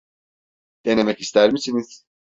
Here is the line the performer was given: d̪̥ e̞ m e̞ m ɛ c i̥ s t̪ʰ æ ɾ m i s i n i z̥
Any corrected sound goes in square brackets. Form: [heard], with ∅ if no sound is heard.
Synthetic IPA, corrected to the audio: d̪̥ e̞ [n] e̞ m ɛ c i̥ s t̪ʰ æ ɾ m i s i n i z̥